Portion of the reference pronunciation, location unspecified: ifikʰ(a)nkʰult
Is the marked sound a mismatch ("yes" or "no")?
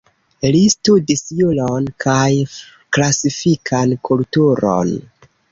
no